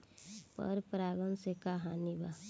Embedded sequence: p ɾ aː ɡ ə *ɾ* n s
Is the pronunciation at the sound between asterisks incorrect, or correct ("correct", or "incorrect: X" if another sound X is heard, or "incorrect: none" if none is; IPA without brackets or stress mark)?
incorrect: none